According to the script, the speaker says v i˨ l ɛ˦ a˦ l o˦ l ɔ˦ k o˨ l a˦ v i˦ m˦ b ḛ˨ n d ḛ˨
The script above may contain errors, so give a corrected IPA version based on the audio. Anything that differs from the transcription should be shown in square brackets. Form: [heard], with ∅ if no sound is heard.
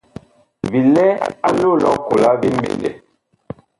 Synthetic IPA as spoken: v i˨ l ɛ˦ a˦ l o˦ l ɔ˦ k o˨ l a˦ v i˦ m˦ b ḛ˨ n d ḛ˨